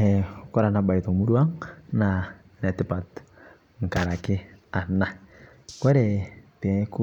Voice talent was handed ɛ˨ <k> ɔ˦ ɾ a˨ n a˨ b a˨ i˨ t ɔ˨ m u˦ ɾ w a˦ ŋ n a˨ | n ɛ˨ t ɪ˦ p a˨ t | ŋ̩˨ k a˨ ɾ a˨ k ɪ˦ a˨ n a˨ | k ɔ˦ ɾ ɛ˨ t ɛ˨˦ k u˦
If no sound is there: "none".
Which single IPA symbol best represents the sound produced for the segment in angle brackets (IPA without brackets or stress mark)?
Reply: k